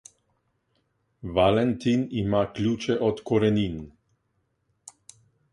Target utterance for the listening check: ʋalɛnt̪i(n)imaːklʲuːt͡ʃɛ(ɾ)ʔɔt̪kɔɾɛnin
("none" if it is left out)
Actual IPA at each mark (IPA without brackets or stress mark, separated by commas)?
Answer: n, none